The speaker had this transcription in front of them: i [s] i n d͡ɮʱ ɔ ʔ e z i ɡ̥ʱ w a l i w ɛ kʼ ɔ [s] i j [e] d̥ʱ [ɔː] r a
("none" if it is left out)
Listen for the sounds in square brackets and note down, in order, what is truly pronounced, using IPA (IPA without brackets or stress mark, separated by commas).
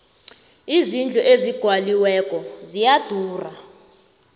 z, z, a, uː